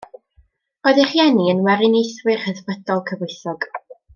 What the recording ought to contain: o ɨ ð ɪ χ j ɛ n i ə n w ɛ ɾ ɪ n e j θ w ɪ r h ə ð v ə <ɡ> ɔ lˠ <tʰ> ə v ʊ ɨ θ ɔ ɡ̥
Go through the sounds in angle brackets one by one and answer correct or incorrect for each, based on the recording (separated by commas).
incorrect, incorrect